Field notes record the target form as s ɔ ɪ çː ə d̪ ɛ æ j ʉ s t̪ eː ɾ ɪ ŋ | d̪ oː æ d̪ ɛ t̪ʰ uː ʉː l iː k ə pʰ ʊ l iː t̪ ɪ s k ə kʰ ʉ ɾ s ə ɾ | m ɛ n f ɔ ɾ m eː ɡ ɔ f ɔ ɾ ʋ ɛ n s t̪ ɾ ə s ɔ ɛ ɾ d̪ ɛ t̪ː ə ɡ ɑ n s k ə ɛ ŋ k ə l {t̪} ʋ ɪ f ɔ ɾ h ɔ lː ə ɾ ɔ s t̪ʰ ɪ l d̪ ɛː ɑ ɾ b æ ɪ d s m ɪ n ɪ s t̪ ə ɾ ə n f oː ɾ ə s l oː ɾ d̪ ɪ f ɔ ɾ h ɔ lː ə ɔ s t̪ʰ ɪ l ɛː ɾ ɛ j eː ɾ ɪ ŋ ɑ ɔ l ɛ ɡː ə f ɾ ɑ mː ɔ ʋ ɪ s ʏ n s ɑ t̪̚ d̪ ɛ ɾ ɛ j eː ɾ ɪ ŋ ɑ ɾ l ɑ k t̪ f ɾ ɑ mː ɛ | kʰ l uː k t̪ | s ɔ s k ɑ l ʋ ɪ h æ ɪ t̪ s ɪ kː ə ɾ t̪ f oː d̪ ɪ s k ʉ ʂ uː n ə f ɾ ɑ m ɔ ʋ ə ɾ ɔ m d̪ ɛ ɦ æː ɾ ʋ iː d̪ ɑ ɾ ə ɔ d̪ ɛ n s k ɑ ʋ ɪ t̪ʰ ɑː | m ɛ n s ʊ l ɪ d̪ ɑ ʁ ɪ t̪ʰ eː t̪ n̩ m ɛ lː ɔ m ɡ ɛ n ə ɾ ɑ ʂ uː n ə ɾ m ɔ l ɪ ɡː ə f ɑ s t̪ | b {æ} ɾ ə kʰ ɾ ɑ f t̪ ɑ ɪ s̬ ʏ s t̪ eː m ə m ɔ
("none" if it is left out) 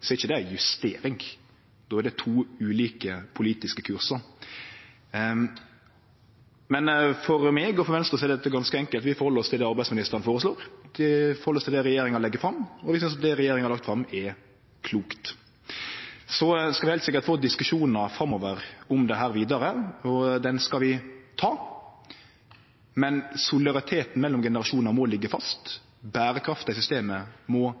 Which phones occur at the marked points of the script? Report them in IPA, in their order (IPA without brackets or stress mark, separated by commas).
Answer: t̪, æː